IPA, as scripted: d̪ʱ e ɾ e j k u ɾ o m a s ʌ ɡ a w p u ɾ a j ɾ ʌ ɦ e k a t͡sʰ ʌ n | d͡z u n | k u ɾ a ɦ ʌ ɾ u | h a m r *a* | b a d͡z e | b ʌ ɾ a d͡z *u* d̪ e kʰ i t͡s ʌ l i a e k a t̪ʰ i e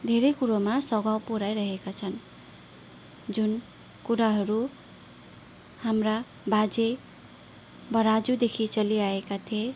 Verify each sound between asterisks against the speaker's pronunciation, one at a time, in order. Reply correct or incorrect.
correct, correct

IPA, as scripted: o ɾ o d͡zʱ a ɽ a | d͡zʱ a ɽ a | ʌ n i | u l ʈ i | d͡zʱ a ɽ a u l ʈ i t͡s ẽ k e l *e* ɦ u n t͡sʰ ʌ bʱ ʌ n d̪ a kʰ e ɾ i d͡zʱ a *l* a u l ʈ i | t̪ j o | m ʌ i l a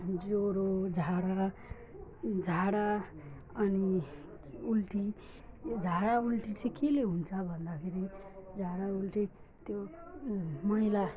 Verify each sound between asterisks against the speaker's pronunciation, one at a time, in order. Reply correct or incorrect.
correct, incorrect

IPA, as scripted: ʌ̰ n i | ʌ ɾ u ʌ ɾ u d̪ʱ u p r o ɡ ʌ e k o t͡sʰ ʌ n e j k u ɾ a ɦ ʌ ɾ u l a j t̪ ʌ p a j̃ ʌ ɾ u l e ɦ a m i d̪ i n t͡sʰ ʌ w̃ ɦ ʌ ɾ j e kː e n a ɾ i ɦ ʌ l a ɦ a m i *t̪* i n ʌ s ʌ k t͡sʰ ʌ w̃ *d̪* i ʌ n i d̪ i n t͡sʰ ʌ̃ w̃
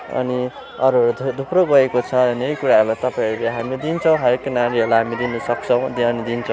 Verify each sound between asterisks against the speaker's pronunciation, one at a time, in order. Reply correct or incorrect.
incorrect, correct

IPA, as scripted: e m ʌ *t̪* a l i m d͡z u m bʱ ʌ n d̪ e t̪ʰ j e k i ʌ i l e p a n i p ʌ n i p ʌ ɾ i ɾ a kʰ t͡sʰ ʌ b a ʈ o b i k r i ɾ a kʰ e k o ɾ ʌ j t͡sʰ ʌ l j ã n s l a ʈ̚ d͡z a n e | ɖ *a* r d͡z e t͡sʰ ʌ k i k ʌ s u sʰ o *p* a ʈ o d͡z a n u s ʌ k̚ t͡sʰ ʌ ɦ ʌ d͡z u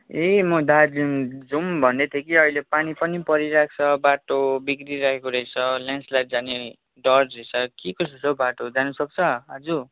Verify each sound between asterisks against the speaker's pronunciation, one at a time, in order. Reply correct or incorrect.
incorrect, incorrect, incorrect

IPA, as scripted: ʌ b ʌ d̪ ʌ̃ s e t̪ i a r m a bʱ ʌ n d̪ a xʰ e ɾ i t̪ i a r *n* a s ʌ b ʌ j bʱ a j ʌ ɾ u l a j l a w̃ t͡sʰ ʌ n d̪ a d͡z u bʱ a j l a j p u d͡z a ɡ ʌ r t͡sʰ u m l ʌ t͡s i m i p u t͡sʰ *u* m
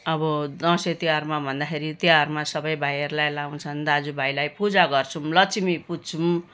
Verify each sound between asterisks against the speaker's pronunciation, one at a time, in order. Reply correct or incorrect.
incorrect, correct

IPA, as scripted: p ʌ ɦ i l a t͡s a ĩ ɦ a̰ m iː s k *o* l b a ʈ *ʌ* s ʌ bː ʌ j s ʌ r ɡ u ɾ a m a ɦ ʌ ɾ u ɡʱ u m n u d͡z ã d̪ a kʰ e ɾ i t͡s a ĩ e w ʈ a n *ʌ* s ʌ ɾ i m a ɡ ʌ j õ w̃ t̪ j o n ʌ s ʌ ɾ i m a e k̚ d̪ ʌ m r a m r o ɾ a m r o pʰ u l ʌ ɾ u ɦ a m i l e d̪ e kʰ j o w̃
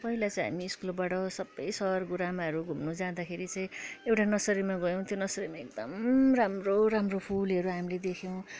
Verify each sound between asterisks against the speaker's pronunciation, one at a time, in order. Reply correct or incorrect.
incorrect, correct, correct

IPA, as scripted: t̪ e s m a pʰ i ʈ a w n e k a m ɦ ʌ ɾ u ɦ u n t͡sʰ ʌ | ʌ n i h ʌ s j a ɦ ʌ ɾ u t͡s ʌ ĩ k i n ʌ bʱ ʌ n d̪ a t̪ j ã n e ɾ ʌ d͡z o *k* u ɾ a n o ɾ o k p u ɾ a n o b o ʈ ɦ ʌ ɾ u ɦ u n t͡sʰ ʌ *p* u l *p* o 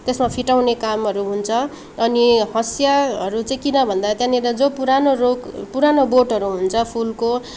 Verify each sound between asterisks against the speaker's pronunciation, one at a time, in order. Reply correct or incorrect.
incorrect, incorrect, incorrect

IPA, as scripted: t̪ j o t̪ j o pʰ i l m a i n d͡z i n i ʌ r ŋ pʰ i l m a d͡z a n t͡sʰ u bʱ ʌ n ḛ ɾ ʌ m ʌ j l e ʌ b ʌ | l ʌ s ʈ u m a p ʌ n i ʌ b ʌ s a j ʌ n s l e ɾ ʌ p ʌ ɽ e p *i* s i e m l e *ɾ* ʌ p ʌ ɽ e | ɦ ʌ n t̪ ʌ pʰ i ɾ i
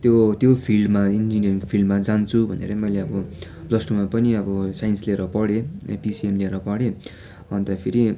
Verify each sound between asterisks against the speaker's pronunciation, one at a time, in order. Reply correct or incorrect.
correct, correct

